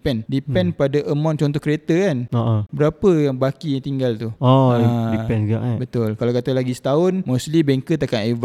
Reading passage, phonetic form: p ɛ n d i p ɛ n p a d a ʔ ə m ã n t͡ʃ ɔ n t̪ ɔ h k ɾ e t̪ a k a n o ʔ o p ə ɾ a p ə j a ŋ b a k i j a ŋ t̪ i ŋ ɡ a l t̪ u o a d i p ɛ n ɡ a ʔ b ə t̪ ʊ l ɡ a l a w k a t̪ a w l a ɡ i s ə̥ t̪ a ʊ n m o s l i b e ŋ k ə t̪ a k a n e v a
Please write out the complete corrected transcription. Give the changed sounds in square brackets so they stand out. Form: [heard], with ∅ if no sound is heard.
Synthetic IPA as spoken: p ɛ n d i p ɛ n p a d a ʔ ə m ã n t͡ʃ ɔ n t̪ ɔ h k ɾ e t̪ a k a n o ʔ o [b] ə ɾ a p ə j a ŋ b a k i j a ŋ t̪ i ŋ ɡ a l t̪ u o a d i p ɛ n ɡ a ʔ b ə t̪ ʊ l [k] a l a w k a t̪ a [∅] l a ɡ i s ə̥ t̪ a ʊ n m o s l i b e ŋ k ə t̪ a k a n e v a